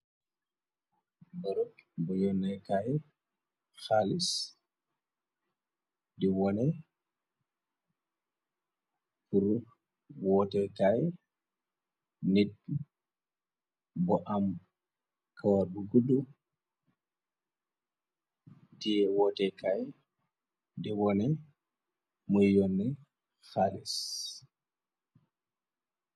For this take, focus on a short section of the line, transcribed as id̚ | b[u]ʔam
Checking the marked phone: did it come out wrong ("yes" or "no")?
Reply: yes